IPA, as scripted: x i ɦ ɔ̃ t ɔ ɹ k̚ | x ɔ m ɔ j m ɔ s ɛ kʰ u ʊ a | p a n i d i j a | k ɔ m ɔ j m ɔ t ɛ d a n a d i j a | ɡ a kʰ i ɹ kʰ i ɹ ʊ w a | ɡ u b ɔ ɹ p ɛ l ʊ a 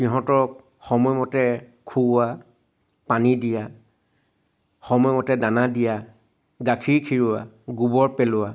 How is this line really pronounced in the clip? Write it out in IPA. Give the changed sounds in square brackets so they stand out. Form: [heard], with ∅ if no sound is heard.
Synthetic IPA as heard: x i ɦ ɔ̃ t ɔ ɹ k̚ | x ɔ m ɔ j m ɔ [t] ɛ kʰ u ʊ a | p a n i d i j a | [x] ɔ m ɔ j m ɔ t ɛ d a n a d i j a | ɡ a kʰ i ɹ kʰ i ɹ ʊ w a | ɡ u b ɔ ɹ p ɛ l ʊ a